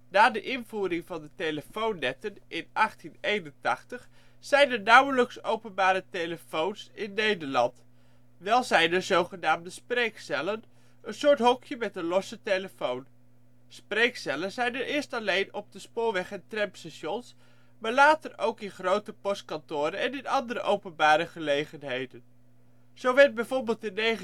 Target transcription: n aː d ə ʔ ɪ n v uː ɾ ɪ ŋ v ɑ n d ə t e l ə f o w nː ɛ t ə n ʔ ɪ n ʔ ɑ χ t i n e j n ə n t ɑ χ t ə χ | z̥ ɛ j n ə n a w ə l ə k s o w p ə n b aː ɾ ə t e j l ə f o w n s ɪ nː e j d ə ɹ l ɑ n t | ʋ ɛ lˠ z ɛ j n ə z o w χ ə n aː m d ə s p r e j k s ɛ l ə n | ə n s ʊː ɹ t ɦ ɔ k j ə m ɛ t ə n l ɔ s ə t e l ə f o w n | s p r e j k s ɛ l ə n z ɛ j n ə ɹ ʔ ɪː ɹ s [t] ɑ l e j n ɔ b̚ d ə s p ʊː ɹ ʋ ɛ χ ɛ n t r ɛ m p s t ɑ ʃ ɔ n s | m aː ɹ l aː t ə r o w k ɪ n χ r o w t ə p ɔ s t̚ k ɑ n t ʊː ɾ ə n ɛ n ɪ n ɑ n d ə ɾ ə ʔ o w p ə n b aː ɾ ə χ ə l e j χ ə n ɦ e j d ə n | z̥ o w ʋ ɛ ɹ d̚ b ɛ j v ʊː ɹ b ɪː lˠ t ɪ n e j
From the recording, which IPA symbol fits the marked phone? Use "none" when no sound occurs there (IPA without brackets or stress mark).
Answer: t